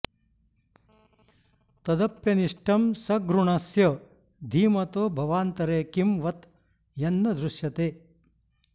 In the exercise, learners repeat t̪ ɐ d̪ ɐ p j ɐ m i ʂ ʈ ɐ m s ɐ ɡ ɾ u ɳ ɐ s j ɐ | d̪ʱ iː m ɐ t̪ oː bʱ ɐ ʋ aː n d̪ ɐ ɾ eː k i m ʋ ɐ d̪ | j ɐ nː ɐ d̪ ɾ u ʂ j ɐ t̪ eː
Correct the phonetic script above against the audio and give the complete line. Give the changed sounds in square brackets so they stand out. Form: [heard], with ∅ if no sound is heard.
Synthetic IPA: t̪ ɐ d̪ ɐ p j ɐ [n] i ʂ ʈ ɐ m s ɐ ɡ ɾ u ɳ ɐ s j ɐ | d̪ʱ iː m ɐ t̪ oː bʱ ɐ ʋ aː n [t̪] ɐ ɾ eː k i m ʋ ɐ [t̪] | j ɐ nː ɐ d̪ ɾ u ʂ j ɐ t̪ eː

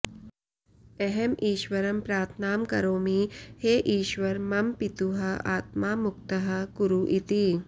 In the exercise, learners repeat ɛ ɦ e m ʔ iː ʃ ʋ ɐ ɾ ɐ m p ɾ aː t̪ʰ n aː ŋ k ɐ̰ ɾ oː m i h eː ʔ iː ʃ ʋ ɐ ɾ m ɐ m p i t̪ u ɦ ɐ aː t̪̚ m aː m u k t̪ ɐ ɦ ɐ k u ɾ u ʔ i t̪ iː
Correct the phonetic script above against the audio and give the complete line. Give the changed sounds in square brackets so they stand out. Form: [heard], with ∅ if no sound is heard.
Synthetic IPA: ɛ ɦ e m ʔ iː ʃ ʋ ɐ ɾ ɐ m p ɾ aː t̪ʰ n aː [m] k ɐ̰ ɾ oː m i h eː ʔ iː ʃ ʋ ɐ ɾ m ɐ m p i t̪ u ɦ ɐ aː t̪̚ m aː m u k t̪ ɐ ɦ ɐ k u ɾ u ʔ i t̪ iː

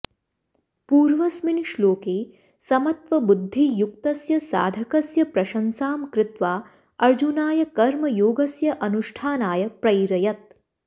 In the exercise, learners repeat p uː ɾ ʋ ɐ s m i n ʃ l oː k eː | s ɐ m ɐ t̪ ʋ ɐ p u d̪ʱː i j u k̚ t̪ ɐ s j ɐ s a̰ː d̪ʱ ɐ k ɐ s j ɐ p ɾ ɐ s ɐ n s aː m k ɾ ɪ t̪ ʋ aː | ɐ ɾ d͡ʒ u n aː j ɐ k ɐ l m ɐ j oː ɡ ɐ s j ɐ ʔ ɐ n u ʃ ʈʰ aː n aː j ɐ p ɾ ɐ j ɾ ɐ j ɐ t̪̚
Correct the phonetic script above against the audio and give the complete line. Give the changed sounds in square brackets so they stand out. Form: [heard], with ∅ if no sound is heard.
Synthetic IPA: p uː ɾ ʋ ɐ s m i n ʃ l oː k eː | s ɐ m ɐ t̪ ʋ ɐ [b] u d̪ʱː i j u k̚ t̪ ɐ s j ɐ s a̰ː d̪ʱ ɐ k ɐ s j ɐ p ɾ ɐ [ʃ] ɐ n s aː m k ɾ ɪ t̪ ʋ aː | ɐ ɾ d͡ʒ u n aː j ɐ k ɐ [ɾ] m ɐ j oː ɡ ɐ s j ɐ ʔ ɐ n u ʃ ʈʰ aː n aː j ɐ p ɾ ɐ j ɾ ɐ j ɐ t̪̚

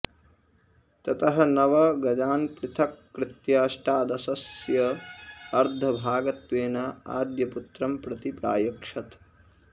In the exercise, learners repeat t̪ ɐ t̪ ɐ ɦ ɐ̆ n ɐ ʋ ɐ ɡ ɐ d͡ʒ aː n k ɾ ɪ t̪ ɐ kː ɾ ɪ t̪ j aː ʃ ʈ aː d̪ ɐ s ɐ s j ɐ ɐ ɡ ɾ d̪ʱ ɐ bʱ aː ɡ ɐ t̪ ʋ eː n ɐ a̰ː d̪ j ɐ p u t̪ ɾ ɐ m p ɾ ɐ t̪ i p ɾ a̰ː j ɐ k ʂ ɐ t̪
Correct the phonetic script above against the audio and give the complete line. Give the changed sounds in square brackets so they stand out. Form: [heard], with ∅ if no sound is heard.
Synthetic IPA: t̪ ɐ t̪ ɐ ɦ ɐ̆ n ɐ ʋ ɐ ɡ ɐ d͡ʒ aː n [p] ɾ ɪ [t̪ʰ] ɐ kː ɾ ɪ t̪ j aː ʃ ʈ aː d̪ ɐ s ɐ s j ɐ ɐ [∅] ɾ d̪ʱ ɐ bʱ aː ɡ ɐ t̪ ʋ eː n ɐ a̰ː d̪ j ɐ p u t̪ ɾ ɐ m p ɾ ɐ t̪ i p ɾ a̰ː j ɐ k ʂ ɐ t̪

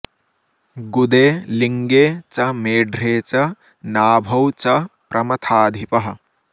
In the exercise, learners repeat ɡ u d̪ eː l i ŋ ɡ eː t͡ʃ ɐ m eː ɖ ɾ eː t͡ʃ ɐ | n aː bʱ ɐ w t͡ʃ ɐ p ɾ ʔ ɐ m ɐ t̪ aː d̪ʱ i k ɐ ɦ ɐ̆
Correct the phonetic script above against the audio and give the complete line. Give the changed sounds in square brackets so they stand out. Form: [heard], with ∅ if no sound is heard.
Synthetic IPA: ɡ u d̪ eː l i ŋ ɡ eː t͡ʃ ɐ m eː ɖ ɾ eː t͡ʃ ɐ | n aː bʱ ɐ w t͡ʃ ɐ p ɾ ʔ ɐ m ɐ [t̪ʰ] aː d̪ʱ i [p] ɐ ɦ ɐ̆

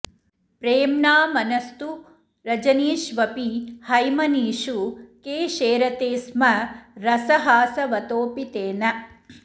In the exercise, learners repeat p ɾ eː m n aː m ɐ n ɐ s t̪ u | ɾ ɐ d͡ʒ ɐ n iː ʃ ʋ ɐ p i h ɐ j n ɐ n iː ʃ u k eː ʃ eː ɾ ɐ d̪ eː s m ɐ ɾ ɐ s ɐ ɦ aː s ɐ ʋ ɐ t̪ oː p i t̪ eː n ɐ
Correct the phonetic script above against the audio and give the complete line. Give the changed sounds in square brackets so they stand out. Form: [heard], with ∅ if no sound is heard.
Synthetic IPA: p ɾ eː m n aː m ɐ n ɐ s t̪ u | ɾ ɐ d͡ʒ ɐ n iː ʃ ʋ ɐ p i h ɐ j [m] ɐ n iː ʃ u k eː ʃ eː ɾ ɐ [t̪] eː s m ɐ ɾ ɐ s ɐ ɦ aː s ɐ ʋ ɐ t̪ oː p i t̪ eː n ɐ

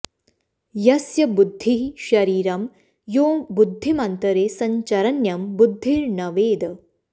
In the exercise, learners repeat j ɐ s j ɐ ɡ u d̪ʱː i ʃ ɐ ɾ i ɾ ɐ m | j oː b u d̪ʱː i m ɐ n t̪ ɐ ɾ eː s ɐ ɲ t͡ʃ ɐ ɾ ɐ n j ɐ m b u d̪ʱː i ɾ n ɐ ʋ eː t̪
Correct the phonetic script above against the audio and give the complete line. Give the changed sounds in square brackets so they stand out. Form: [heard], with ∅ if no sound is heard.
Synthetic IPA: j ɐ s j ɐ [b] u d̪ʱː i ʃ ɐ ɾ [iː] ɾ ɐ m | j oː b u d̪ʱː i m ɐ n t̪ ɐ ɾ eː s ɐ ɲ t͡ʃ ɐ ɾ ɐ n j ɐ m b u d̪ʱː i ɾ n ɐ ʋ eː [d̪]

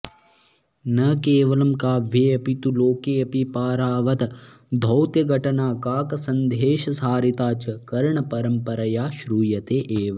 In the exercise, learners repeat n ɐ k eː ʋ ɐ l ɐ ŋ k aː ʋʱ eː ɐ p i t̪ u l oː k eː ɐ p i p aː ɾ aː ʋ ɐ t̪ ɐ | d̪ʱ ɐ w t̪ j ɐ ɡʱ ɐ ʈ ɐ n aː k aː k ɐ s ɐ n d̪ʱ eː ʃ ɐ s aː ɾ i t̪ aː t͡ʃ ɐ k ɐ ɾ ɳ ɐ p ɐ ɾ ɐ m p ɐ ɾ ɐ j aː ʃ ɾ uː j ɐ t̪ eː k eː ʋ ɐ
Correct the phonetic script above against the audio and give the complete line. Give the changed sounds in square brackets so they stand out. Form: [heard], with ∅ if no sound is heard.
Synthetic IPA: n ɐ k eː ʋ ɐ l ɐ [m] k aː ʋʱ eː ɐ p i t̪ u l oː k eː ɐ p i p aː ɾ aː ʋ ɐ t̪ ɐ | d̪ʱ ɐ w t̪ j ɐ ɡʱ ɐ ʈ ɐ n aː k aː k ɐ s ɐ n d̪ʱ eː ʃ ɐ s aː ɾ i t̪ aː t͡ʃ ɐ k ɐ ɾ ɳ ɐ p ɐ ɾ ɐ m p ɐ ɾ ɐ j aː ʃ ɾ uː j ɐ t̪ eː [ʔ] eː ʋ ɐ

